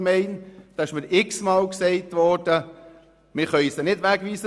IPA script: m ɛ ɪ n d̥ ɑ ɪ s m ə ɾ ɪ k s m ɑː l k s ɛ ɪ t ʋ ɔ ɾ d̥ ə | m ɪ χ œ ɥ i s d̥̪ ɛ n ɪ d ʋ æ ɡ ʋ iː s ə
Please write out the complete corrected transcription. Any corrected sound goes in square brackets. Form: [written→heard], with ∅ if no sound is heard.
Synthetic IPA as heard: m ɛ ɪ n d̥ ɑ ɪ [s→ʃ] m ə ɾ ɪ k s m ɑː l k s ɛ ɪ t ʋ ɔ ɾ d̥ ə | m ɪ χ œ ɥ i s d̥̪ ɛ n ɪ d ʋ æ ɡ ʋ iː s ə

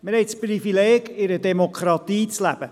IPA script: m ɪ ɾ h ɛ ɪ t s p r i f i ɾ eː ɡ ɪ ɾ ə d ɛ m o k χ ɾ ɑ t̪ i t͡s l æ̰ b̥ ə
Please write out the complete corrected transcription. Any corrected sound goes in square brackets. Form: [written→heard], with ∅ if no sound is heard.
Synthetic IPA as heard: m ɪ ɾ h ɛ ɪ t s p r i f i [ɾ→l] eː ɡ ɪ ɾ ə d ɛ m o k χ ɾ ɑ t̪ [i→iː] t͡s l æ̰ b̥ ə

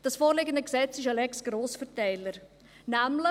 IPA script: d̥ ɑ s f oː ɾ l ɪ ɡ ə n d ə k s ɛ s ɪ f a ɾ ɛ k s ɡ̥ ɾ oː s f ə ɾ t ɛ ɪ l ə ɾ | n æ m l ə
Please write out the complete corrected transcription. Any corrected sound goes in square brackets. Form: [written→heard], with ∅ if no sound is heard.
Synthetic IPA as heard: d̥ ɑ s f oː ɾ l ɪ ɡ ə n d ə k s ɛ [s→t͡s] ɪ [f→ʃ] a [ɾ→l] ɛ k s ɡ̥ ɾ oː s f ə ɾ t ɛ ɪ l ə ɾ | n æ m l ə

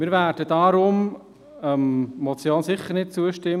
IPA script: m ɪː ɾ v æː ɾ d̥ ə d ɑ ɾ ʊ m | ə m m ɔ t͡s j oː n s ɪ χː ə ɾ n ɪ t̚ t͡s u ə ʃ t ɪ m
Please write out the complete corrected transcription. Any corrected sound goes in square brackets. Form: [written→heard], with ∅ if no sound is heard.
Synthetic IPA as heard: m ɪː ɾ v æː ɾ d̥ ə d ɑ ɾ ʊ m | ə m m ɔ t͡s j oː n s ɪ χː ə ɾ n ɪ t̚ t͡s u ə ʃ t ɪ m

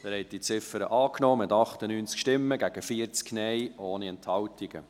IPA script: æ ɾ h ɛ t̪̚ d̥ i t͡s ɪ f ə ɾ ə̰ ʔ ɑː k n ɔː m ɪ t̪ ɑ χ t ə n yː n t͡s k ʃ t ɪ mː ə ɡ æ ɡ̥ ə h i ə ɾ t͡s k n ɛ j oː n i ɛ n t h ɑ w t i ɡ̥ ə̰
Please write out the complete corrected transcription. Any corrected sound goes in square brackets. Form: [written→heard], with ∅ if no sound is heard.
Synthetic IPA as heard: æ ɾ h ɛ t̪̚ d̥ i t͡s ɪ f ə ɾ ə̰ ʔ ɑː k n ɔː m ɪ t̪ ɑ χ t ə n yː n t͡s k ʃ t ɪ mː ə ɡ æ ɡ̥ ə [h→f] i ə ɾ t͡s k n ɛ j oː n i ɛ n t h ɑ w t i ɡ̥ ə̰

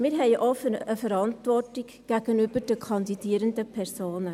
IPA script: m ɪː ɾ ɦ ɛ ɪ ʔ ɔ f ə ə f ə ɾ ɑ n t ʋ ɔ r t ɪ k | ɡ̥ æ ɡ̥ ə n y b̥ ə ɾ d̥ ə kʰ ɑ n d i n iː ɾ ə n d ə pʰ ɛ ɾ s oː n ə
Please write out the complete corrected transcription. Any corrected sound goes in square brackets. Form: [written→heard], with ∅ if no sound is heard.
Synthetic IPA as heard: m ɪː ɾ ɦ ɛ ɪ ʔ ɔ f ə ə f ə ɾ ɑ n t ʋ ɔ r t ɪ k | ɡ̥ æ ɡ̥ ə n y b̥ ə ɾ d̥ ə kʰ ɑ n d i [n→d] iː ɾ ə n d ə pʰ ɛ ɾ s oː n ə

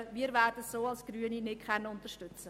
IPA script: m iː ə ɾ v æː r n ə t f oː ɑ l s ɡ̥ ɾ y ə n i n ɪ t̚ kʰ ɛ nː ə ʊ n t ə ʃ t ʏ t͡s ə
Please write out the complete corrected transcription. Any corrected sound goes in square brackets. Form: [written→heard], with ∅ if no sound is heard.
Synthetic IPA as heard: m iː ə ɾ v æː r [n→d] ə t [f→s] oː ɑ l s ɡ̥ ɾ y ə n i n ɪ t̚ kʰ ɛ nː ə ʊ n t ə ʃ t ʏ t͡s ə

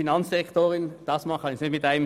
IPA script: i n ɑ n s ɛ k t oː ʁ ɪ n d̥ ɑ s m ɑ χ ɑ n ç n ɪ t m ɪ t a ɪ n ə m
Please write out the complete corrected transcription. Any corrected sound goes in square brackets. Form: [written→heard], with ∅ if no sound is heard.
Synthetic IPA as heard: i n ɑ n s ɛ k t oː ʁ ɪ n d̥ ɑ s m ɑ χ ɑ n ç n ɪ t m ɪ t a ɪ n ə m

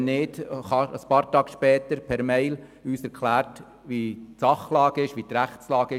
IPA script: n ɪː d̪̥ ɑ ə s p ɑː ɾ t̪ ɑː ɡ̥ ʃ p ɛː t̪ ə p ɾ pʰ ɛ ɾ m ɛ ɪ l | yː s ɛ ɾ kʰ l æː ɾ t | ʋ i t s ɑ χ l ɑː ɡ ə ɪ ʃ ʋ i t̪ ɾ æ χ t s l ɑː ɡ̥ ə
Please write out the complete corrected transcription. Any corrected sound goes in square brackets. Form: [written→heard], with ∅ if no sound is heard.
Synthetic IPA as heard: n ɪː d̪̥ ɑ ə s p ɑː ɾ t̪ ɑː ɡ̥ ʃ p ɛː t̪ ə [p→∅] ɾ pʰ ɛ ɾ m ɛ ɪ l | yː s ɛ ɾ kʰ l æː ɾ t | ʋ i t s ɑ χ l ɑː ɡ ə ɪ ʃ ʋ i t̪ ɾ æ χ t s l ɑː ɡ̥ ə

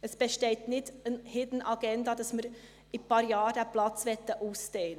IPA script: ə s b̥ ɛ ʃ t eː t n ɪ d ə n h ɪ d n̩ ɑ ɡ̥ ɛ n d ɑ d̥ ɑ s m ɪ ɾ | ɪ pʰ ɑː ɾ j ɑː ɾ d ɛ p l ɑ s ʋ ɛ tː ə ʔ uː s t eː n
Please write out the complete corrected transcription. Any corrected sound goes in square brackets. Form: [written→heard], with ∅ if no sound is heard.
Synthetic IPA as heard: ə s b̥ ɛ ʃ t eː t n ɪ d ə n h ɪ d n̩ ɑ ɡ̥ ɛ n d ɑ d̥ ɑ s m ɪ ɾ | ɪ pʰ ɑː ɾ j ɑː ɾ d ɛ p l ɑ [s→t͡s] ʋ ɛ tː ə ʔ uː s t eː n

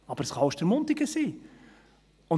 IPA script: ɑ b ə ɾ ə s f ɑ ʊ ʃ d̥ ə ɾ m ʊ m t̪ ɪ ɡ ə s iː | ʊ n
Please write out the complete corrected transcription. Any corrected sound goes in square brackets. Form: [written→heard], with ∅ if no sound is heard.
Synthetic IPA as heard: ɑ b ə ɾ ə s [f→χ] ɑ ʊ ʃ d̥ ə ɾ m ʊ [m→n] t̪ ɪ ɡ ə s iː | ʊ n

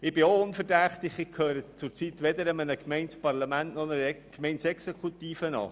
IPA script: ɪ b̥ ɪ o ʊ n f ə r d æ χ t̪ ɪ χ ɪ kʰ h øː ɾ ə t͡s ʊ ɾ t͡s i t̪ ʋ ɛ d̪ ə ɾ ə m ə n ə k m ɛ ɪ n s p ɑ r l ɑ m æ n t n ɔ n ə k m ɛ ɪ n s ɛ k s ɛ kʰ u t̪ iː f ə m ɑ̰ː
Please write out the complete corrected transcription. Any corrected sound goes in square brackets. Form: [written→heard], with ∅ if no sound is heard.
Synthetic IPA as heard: ɪ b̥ ɪ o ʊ n f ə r d æ χ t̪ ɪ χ ɪ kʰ h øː ɾ ə t͡s ʊ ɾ t͡s i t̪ ʋ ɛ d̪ ə ɾ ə m ə n ə k m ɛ ɪ n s p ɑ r l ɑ m æ n t n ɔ n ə k m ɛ ɪ n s ɛ k s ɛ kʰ u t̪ iː f ə [m→n] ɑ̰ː

